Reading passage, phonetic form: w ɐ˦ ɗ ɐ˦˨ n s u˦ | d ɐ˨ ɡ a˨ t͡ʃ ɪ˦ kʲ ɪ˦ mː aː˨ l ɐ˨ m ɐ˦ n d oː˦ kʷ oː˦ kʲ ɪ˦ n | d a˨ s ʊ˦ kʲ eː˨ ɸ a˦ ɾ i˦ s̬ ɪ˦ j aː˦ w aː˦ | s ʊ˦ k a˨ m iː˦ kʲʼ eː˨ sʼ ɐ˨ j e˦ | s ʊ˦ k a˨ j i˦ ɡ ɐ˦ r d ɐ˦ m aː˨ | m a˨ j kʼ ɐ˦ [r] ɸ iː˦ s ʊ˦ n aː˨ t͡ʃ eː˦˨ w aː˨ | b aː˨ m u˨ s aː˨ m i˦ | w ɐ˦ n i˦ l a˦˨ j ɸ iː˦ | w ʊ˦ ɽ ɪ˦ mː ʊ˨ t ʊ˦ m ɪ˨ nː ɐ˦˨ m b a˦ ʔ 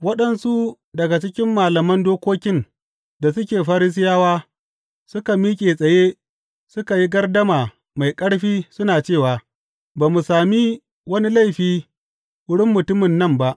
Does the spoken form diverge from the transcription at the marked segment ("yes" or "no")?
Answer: yes